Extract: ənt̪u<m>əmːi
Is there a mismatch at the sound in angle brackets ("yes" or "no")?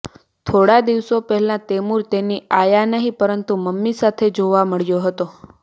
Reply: no